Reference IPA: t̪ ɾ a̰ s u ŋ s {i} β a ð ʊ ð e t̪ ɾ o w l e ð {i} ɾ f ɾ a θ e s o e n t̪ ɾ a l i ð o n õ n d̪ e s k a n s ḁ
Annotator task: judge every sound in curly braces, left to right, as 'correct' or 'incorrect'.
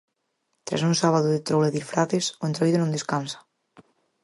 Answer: incorrect: a, correct

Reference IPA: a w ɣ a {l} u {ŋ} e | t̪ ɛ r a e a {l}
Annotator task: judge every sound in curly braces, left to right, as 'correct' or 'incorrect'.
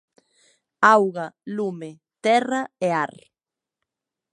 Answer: correct, incorrect: m, incorrect: ɾ

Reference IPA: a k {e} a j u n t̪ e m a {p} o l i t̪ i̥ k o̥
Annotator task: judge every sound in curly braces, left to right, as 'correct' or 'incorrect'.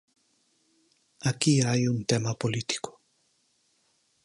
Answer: incorrect: i, correct

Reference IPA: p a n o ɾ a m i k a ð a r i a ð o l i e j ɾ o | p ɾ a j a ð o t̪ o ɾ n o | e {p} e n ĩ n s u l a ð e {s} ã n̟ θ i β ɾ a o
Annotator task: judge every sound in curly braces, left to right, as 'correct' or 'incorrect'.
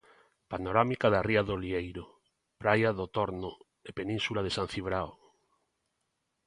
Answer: correct, correct

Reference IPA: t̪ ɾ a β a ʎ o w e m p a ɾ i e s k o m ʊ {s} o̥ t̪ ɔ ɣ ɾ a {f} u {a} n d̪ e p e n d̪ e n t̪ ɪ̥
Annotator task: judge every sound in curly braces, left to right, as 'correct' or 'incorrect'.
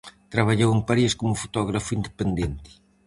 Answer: incorrect: f, correct, incorrect: i

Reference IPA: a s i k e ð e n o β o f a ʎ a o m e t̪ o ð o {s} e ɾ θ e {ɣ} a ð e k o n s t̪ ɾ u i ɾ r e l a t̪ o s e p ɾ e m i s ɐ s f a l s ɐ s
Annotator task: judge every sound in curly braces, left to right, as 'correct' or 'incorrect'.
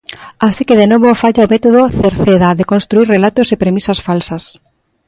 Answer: incorrect: θ, incorrect: ð

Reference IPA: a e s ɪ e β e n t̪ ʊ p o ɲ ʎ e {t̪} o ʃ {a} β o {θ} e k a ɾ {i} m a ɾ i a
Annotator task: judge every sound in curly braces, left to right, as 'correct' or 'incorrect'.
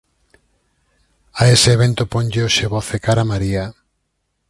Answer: incorrect: none, incorrect: e, correct, incorrect: a

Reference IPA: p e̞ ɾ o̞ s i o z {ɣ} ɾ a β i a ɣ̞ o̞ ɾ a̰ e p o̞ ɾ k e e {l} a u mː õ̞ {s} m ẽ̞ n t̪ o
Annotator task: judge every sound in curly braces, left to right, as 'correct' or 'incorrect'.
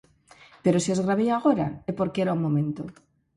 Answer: correct, incorrect: ɾ, incorrect: none

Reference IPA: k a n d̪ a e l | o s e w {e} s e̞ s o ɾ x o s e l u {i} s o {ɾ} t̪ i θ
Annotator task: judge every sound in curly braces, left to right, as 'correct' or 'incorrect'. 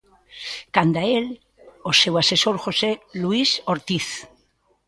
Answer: incorrect: a, correct, correct

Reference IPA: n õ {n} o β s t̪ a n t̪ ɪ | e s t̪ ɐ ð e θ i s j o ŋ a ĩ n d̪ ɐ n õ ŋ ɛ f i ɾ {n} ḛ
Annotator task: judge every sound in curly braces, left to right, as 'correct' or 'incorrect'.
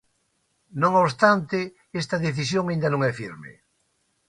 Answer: incorrect: ŋ, incorrect: m

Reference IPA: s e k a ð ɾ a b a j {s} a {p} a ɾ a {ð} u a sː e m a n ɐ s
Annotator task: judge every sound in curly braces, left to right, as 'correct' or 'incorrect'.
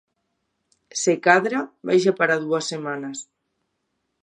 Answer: incorrect: ʃ, correct, correct

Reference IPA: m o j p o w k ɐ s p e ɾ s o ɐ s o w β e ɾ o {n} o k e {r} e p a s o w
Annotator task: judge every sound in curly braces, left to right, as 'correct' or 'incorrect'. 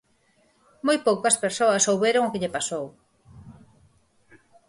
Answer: incorrect: ŋ, incorrect: ʎ

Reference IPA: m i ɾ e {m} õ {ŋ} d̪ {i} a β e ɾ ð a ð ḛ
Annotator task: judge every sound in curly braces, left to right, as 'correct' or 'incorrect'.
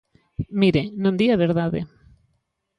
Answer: incorrect: n, incorrect: n, correct

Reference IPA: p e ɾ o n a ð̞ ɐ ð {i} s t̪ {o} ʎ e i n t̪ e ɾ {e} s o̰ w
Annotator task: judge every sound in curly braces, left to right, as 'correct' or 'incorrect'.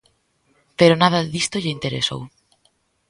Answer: correct, correct, correct

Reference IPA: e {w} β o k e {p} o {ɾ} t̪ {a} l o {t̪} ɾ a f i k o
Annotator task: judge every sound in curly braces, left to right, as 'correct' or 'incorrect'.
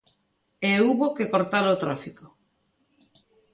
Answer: incorrect: u, incorrect: k, correct, correct, correct

